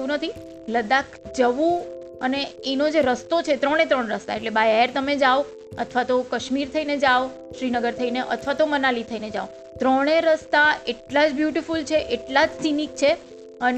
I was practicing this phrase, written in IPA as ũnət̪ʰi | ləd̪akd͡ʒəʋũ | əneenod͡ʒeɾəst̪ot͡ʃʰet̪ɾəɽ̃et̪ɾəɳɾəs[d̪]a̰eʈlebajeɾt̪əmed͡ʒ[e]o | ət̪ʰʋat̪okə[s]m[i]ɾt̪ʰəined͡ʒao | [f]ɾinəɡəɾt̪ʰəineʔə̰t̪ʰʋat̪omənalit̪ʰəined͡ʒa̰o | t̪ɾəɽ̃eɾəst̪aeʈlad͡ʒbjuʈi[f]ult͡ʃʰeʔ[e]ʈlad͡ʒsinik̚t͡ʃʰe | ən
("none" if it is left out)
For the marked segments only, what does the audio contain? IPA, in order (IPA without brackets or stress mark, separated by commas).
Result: t̪, a, ʃ, i, ʃ, f, e